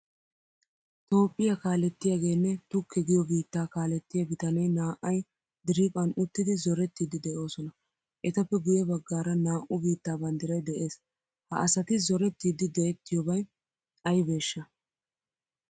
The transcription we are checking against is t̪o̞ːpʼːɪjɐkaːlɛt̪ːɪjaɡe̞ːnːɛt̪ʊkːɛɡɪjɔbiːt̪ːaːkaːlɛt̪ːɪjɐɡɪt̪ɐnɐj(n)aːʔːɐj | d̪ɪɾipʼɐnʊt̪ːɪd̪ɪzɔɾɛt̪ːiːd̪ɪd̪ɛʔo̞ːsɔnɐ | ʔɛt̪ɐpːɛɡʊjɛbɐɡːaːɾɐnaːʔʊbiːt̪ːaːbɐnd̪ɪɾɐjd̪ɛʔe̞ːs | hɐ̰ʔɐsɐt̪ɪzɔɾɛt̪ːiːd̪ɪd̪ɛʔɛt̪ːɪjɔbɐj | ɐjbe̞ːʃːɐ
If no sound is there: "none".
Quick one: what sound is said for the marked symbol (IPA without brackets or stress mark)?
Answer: n